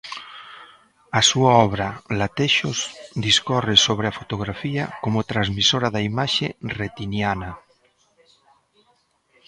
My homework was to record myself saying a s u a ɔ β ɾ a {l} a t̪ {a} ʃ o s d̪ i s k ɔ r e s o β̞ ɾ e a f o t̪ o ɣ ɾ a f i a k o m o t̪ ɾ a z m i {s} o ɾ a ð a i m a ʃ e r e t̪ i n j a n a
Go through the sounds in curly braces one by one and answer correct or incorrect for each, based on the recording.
correct, incorrect: e, correct

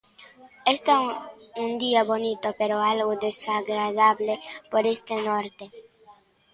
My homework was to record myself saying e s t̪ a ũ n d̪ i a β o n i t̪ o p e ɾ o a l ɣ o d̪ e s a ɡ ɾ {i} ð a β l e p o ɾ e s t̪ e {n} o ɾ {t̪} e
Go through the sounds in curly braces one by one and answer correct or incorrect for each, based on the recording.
incorrect: a, correct, correct

